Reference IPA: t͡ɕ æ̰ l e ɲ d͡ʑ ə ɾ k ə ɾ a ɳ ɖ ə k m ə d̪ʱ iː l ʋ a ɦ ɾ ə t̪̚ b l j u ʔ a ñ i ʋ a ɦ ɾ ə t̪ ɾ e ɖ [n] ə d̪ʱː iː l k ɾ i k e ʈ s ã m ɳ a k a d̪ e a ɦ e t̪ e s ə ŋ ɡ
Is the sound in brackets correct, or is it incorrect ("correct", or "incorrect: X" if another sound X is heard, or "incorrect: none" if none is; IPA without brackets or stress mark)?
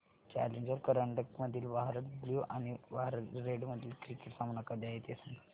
incorrect: m